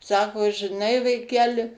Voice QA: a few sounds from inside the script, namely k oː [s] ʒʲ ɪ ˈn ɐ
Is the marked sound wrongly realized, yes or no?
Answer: yes